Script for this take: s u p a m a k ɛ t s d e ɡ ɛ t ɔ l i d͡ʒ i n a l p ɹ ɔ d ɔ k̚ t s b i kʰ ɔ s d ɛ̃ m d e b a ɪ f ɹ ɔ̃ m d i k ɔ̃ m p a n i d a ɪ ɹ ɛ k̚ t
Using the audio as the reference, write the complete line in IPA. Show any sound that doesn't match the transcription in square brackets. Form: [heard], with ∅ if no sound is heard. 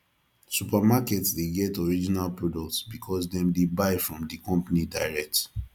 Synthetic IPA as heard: s u p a m a k ɛ t s d e ɡ ɛ t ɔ [ɹ] i d͡ʒ i n a l p ɹ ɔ d ɔ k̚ t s b i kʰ ɔ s d ɛ̃ m d e b a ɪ f ɹ ɔ̃ m d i k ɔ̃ m p a n i d a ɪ ɹ ɛ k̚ t

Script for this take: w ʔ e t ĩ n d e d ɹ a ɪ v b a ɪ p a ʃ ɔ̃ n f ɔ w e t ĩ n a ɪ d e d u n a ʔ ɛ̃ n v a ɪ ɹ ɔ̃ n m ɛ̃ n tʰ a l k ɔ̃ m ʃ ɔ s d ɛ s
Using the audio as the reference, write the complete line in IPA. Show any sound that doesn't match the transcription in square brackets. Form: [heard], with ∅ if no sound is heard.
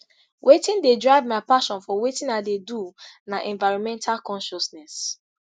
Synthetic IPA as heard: w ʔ e t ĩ n d e d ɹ a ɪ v [m] a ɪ p a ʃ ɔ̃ n f ɔ w e t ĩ n a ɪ d e d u n a ʔ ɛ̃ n v a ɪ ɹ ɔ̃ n m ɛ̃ n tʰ a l k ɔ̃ [n] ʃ ɔ s [n] ɛ s

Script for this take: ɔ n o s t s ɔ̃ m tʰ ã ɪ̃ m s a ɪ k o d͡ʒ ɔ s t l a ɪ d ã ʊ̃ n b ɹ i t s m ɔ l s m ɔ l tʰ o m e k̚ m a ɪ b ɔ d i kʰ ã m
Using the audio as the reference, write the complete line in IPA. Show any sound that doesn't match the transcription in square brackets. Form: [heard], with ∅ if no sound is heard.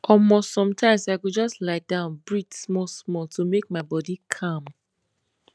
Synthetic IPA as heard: ɔ [m] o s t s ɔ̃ m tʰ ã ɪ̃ m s a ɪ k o d͡ʒ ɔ s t l a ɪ d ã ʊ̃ n b ɹ i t s m ɔ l s m ɔ l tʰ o m e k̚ m a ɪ b ɔ d i kʰ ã m

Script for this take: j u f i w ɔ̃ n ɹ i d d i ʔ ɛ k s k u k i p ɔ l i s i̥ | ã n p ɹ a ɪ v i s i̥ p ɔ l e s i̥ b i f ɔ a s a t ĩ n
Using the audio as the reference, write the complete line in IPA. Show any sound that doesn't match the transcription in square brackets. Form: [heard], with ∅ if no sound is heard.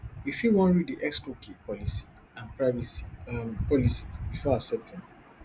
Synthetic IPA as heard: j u f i w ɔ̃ n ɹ i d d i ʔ ɛ k s k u k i p ɔ l i s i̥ | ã n p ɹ a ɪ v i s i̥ p ɔ l [i] s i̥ b i f ɔ a s [ɛ] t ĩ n

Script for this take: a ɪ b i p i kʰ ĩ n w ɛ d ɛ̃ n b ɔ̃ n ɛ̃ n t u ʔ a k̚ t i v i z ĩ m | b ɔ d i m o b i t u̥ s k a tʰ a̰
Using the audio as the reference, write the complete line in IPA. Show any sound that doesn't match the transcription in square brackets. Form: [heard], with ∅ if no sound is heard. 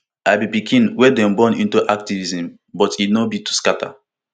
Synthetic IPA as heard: a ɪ b i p i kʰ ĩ n w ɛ d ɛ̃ [m] b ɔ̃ n [ĩ] n t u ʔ a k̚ t i v i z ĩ m | b ɔ [t] i [n] o b i t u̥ s k a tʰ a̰

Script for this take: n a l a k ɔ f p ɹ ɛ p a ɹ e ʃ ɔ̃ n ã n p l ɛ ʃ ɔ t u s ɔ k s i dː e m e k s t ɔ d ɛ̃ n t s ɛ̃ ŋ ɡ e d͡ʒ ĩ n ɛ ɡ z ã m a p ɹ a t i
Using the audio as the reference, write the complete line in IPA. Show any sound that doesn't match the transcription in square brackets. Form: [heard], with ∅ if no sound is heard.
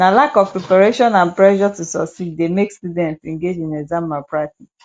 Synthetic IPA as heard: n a l a k ɔ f p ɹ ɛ p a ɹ e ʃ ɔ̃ n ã n p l ɛ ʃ ɔ t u s ɔ k s i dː e m e k s t [u] d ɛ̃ n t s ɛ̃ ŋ ɡ e d͡ʒ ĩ n ɛ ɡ z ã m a p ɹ a t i

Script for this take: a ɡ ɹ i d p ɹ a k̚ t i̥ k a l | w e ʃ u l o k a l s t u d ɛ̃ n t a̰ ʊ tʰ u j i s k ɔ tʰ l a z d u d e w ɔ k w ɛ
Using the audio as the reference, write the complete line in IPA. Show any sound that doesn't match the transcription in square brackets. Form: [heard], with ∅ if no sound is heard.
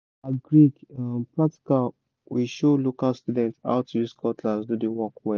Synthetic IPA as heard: a ɡ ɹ i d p ɹ a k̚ t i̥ k a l | w [i] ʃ [o] l o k a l s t u d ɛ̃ n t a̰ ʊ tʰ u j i s k ɔ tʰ l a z d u d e w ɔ k w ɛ

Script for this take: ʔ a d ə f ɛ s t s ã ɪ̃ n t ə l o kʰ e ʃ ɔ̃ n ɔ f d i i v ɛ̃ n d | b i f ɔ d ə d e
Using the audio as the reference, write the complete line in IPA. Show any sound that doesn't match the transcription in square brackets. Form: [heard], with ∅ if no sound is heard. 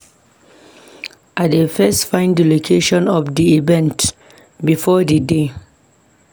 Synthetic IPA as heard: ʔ a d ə f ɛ s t [f] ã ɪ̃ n [d] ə l o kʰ e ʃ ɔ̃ n ɔ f d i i v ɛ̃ n [t] | b i f ɔ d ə d e

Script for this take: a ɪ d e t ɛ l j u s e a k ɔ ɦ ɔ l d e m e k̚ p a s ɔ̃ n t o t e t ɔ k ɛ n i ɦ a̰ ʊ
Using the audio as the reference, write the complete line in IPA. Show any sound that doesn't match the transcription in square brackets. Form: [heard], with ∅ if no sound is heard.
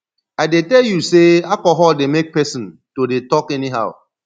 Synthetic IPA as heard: a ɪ d e t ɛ l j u s e a k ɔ ɦ ɔ l d e m e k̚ p [ɛ] s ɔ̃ n t o [d] e t ɔ k ɛ n i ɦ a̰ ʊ

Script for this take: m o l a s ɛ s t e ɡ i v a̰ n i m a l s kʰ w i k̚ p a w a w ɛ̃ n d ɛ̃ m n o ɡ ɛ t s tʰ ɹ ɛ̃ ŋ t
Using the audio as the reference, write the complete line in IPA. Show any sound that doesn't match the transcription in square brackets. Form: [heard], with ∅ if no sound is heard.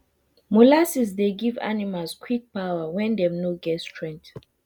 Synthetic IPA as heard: m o l a s [i] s [d] e ɡ i v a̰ n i m a l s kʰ w i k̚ p a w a w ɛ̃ n d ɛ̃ m n o ɡ ɛ t s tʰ ɹ ɛ̃ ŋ t

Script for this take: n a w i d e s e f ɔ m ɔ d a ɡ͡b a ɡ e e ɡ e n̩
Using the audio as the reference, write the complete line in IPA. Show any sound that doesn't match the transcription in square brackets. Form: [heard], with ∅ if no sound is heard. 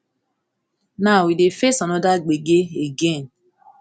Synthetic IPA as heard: n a w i d e [f] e [s] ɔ [n] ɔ d a ɡ͡b [e] ɡ e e ɡ e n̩

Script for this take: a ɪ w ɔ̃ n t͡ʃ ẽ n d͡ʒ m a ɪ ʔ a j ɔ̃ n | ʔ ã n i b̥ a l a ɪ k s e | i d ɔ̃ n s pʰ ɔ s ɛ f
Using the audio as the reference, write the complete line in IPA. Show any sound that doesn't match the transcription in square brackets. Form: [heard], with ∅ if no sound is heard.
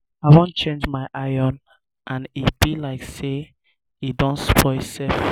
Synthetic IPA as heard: a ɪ w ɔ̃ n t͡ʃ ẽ n d͡ʒ m a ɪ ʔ a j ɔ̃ n | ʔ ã n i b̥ [i] l a ɪ k s e | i d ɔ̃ n s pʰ ɔ s ɛ f

